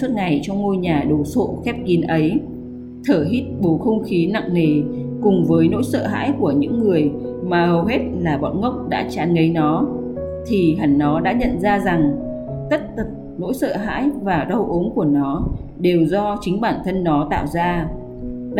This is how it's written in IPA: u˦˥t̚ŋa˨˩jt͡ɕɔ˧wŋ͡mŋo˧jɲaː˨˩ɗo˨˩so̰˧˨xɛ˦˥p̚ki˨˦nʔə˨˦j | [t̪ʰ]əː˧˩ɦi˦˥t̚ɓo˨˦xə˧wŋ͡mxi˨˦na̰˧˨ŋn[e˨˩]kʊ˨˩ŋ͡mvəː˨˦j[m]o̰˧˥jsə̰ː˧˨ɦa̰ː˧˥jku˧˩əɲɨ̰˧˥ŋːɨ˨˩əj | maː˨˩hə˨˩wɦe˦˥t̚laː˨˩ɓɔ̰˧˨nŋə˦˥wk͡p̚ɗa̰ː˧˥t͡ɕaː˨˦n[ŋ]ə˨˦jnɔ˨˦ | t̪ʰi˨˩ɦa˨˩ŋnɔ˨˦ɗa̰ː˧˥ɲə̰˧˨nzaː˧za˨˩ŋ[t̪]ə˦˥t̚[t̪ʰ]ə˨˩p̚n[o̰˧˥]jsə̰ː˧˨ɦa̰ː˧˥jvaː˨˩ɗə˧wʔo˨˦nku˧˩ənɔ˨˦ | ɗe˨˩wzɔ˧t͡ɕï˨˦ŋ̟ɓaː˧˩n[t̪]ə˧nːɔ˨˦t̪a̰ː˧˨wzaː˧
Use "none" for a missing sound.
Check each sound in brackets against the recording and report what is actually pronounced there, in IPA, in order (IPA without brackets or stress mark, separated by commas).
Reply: t̪ʰ, e˨˩, n, ŋ, t̪, t̪, o̰˧˥, t̪ʰ